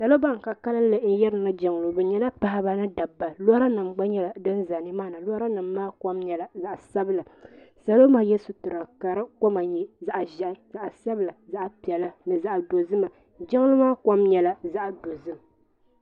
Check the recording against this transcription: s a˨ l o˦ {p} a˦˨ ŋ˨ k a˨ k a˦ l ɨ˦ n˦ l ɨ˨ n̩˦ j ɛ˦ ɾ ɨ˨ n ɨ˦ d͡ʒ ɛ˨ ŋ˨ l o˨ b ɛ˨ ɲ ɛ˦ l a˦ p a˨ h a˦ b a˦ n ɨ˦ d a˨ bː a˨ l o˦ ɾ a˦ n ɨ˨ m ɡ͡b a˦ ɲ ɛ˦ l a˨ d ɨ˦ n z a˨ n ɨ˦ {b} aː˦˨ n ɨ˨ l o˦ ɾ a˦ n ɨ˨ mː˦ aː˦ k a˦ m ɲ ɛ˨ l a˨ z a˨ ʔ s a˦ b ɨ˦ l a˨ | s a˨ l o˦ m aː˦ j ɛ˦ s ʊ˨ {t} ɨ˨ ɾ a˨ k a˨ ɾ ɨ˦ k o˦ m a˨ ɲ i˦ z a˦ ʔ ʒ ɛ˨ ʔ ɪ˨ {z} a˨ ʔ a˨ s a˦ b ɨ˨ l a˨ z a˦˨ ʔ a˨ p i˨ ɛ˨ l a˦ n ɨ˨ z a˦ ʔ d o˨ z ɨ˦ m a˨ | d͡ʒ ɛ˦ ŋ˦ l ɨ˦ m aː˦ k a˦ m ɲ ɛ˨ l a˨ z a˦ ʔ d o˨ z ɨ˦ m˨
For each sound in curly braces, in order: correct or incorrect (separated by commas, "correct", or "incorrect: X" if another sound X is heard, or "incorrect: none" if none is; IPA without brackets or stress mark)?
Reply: incorrect: b, incorrect: m, correct, correct